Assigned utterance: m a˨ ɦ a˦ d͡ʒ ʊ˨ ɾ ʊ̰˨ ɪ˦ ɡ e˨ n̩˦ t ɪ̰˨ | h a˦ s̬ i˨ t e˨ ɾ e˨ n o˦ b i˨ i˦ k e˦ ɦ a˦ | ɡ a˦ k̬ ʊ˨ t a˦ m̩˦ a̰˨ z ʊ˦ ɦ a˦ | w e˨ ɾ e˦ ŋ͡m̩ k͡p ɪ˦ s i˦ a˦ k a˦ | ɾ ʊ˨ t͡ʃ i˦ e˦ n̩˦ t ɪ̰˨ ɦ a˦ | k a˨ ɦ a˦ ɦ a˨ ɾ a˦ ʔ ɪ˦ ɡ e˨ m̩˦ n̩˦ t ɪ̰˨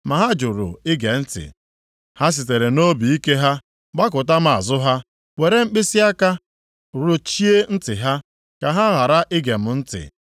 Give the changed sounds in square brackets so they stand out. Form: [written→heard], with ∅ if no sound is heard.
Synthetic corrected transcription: m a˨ ɦ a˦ d͡ʒ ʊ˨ ɾ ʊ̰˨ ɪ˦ ɡ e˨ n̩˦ t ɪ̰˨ | h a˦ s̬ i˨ t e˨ ɾ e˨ n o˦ b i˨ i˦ k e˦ ɦ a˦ | [ɡ→ɡ͡b] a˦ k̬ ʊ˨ t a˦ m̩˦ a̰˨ z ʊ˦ ɦ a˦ | w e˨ ɾ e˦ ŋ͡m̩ k͡p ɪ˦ s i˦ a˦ k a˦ | ɾ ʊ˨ t͡ʃ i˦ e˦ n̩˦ t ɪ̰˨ ɦ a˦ | k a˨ ɦ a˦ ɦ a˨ ɾ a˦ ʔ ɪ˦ ɡ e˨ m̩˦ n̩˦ t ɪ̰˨